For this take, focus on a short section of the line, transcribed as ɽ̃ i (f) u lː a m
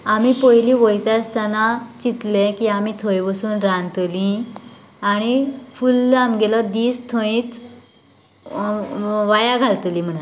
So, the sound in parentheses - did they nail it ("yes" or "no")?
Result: yes